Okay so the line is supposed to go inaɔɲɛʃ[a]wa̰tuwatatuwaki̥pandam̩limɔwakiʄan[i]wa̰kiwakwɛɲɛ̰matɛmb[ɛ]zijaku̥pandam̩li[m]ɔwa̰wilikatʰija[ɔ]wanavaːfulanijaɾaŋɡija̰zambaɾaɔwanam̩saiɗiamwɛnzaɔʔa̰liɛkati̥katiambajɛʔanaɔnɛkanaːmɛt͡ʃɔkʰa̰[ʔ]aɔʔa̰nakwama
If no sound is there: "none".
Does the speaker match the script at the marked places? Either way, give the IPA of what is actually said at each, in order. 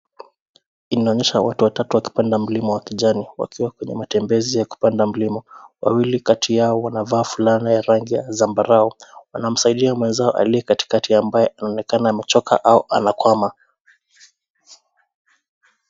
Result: a, i, ɛ, m, ɔ, ʔ

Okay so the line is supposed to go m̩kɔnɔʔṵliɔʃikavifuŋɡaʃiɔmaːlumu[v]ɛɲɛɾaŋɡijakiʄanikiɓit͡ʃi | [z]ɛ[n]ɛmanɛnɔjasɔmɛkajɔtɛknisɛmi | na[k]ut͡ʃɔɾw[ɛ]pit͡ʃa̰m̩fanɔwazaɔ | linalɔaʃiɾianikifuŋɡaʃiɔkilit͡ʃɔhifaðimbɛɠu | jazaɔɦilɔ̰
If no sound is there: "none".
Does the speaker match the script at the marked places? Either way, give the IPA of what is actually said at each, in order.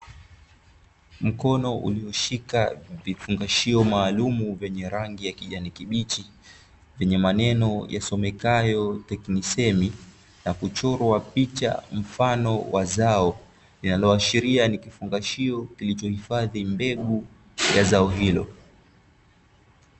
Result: v, v, ɲ, k, a

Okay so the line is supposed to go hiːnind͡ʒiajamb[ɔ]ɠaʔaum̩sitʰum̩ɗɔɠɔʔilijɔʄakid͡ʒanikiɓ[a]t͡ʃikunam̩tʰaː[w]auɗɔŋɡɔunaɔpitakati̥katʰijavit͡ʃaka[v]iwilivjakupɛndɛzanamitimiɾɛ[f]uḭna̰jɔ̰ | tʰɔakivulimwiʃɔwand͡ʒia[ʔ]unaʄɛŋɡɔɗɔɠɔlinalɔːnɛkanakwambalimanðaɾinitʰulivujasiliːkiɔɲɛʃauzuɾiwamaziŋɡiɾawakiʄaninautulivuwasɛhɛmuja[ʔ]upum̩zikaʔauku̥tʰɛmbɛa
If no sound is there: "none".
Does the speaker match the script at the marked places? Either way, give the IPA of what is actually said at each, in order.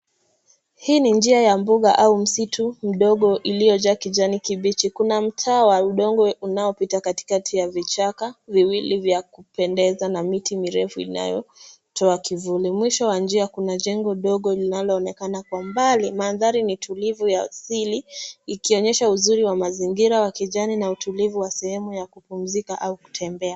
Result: u, i, w, v, f, k, k

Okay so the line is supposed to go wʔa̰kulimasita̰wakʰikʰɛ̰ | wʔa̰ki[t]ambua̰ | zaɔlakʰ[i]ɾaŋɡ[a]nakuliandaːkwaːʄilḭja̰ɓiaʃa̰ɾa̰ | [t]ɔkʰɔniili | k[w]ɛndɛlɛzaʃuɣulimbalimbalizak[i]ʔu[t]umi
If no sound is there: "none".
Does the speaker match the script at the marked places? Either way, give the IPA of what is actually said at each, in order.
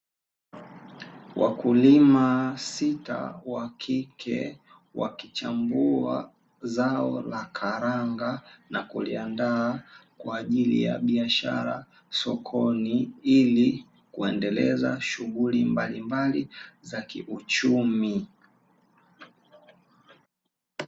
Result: t͡ʃ, a, a, s, u, i, t͡ʃ

